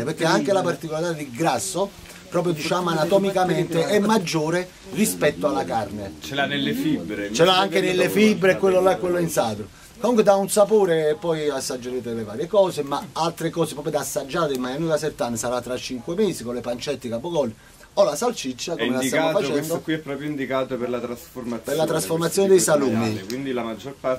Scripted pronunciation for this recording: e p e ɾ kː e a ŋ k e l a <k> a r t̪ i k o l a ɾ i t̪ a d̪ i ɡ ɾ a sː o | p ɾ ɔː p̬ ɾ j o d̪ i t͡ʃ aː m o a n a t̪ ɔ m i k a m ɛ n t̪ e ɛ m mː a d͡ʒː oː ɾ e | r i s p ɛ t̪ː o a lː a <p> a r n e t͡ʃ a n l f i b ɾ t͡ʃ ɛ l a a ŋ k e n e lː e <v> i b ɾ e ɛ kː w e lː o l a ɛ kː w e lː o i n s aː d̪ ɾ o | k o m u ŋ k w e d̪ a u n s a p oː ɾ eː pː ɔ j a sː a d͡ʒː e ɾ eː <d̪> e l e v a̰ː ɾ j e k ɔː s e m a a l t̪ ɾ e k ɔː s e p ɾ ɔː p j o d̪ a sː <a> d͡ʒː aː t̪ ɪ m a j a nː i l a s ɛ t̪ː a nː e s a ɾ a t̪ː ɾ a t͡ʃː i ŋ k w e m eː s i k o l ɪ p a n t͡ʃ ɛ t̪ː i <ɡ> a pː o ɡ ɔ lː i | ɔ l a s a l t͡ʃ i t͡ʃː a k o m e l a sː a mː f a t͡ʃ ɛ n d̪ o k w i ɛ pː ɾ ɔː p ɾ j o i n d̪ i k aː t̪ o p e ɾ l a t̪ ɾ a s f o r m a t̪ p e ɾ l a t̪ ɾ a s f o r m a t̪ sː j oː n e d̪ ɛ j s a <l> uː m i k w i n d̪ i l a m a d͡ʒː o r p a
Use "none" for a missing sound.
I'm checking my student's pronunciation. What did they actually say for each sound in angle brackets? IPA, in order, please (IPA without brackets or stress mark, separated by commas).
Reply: p, k, f, t̪, a, k, l